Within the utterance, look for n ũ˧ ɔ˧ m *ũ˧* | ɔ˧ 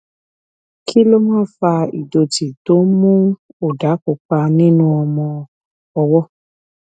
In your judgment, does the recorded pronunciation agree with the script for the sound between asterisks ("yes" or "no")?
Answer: no